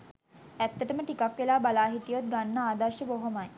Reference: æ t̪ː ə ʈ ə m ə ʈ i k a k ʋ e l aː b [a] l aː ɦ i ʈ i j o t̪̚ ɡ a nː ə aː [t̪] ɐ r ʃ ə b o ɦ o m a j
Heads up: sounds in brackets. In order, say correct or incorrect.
correct, incorrect: d̪

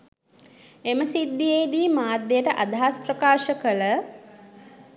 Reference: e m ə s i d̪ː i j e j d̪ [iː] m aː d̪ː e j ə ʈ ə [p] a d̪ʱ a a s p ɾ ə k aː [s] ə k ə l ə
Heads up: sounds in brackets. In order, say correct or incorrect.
correct, incorrect: ʔ, incorrect: ʃ

